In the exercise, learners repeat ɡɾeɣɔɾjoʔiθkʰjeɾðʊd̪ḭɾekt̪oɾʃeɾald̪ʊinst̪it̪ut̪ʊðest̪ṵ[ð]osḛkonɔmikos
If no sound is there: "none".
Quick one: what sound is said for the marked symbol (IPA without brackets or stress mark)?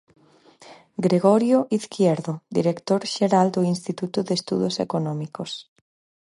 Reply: ð